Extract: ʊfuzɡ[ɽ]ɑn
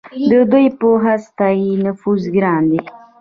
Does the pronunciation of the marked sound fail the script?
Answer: yes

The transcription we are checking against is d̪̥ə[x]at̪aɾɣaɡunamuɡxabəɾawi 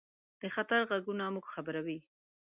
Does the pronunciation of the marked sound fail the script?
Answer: no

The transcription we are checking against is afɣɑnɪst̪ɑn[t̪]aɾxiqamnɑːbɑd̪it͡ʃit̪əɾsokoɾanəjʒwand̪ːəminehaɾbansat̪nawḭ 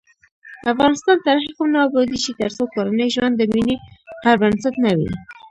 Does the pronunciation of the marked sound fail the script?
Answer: no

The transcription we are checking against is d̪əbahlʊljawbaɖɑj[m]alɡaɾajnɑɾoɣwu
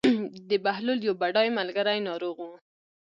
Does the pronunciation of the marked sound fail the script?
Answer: no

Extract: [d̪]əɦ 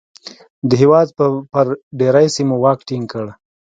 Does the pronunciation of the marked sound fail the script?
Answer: no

